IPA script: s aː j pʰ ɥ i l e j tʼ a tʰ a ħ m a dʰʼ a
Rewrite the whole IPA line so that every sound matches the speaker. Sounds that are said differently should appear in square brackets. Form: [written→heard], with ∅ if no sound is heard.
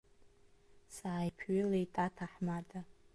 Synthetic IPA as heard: s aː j pʰ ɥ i l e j tʼ a tʰ a ħ m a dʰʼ a